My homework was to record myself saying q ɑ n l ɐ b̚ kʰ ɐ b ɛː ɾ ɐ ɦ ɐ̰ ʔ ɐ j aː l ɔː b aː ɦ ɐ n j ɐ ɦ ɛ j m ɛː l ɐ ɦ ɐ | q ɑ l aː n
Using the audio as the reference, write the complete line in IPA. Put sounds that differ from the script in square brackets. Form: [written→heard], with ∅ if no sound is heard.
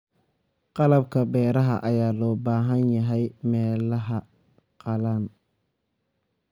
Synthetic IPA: q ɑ [n→∅] l ɐ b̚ kʰ ɐ b ɛː ɾ ɐ ɦ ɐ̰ ʔ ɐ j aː l ɔː b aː ɦ ɐ n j ɐ ɦ ɛ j m ɛː l ɐ ɦ ɐ | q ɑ l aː n